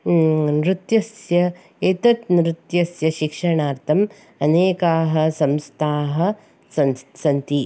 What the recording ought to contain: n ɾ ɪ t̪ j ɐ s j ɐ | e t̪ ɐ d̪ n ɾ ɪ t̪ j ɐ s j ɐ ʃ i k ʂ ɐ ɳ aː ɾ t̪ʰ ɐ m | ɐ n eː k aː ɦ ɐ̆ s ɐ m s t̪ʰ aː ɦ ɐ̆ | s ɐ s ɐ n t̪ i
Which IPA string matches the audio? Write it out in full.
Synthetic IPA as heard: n ɾ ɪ t̪ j ɐ s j ɐ | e t̪ ɐ t̪ n ɾ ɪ t̪ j ɐ s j ɐ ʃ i k ʂ ɐ ɳ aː ɾ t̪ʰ ɐ m | ɐ n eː k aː ɦ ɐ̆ s ɐ m s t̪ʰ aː ɦ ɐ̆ | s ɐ s ɐ n t̪ i